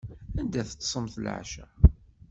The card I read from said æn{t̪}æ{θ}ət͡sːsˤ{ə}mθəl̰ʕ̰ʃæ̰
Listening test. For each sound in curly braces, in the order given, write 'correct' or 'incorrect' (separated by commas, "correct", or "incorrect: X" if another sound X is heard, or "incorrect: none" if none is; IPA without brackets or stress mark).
incorrect: d̪, correct, correct